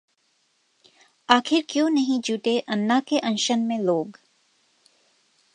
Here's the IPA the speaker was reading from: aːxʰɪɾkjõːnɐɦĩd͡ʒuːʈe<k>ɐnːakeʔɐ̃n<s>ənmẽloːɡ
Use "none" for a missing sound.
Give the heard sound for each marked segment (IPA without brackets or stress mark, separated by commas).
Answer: ʔ, ʃ